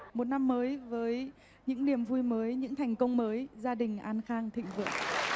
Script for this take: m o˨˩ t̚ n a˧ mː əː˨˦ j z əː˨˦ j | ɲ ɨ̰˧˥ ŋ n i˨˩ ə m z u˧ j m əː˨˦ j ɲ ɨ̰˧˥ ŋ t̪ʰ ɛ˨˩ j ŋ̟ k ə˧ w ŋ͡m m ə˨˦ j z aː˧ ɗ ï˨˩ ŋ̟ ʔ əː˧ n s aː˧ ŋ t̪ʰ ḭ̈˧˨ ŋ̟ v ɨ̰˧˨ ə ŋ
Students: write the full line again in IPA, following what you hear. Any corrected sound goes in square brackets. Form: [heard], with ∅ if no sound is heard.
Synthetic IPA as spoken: m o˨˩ t̚ n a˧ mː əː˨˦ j [v] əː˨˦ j | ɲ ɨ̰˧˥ ŋ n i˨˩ ə m [v] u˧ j m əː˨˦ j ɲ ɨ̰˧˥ ŋ t̪ʰ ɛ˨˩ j ŋ̟ k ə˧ w ŋ͡m m [əː˨˦] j z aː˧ ɗ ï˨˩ ŋ̟ ʔ [aː˧] n [x] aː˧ ŋ t̪ʰ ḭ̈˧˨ ŋ̟ v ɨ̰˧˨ ə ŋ